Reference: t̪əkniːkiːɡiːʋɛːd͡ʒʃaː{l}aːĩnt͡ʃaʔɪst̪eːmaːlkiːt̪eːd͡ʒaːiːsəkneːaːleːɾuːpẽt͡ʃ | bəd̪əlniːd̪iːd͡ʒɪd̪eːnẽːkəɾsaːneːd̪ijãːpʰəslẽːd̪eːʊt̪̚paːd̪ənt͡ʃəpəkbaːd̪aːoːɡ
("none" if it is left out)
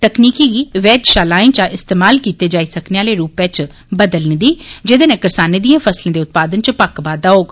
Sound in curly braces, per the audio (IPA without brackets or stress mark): l